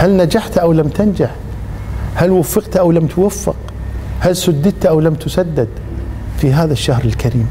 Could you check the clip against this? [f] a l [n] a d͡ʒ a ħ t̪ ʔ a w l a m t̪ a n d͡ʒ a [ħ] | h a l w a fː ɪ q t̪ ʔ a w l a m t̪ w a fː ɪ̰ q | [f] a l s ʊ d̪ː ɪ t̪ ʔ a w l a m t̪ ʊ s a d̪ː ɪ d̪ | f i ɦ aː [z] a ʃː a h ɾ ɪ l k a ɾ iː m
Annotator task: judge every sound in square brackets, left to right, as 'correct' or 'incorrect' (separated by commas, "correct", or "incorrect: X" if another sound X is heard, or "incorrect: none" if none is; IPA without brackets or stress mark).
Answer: incorrect: h, correct, correct, incorrect: h, incorrect: ð